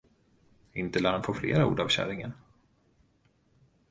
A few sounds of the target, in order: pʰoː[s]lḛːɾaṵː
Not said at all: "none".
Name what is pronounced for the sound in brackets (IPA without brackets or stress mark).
f